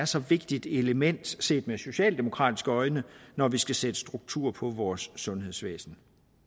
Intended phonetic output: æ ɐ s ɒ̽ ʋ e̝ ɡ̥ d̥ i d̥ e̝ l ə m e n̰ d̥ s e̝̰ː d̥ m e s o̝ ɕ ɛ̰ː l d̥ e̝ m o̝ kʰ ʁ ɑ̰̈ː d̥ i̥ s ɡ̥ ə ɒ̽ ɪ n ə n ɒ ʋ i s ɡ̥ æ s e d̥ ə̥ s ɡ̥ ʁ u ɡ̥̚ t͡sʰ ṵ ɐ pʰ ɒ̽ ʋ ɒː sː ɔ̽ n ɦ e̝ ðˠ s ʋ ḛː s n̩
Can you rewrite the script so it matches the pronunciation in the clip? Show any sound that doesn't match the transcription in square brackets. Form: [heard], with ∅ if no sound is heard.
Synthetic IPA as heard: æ ɐ s ɒ̽ ʋ e̝ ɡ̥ d̥ i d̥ e̝ l ə m e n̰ d̥ s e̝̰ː d̥ m e s o̝ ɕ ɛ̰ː l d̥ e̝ m o̝ kʰ ʁ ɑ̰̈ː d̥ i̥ s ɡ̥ ə ɒ̽ ɪ n ə n ɒ ʋ i s ɡ̥ æ s e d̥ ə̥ s [d̥] ʁ u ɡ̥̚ t͡sʰ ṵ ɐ pʰ ɒ̽ ʋ ɒː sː ɔ̽ n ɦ e̝ ðˠ s ʋ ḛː s n̩